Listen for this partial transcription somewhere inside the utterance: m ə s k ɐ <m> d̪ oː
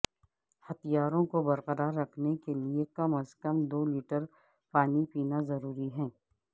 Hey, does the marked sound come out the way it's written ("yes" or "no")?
yes